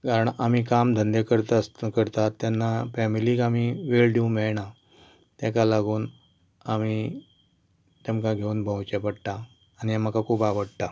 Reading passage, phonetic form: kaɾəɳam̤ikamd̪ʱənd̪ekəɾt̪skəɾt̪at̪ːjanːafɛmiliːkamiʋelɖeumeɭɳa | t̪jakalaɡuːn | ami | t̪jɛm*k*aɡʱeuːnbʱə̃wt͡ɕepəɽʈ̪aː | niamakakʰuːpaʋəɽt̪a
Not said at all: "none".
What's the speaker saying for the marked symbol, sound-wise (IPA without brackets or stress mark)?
k